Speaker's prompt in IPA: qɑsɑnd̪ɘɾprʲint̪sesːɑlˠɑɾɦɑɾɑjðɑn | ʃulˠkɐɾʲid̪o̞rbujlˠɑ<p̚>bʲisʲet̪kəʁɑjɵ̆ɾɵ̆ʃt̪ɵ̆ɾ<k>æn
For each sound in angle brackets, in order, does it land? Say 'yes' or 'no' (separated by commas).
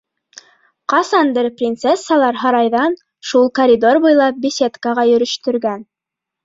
yes, no